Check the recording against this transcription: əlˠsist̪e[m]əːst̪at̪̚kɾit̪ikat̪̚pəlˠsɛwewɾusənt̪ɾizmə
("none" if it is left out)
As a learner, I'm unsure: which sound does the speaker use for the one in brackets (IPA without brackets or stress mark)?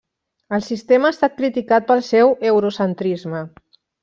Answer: m